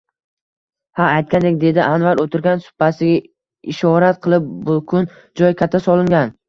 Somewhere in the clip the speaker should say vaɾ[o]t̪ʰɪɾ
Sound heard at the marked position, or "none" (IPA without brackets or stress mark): o